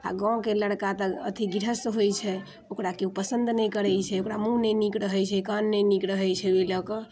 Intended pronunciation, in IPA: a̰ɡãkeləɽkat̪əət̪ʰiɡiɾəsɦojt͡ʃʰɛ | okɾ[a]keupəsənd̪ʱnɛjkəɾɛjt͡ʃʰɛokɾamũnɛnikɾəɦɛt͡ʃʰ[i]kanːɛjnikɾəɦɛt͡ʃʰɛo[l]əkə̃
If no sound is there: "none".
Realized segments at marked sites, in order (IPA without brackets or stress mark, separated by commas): a, ɛ, l